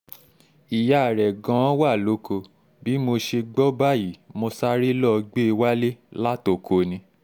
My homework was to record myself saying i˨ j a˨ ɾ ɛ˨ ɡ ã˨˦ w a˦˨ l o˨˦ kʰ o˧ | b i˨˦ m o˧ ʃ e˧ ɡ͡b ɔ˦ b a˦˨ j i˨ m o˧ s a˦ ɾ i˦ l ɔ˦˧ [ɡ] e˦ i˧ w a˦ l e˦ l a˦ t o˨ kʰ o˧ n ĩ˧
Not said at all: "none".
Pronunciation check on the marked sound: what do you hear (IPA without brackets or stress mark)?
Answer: ɡ͡b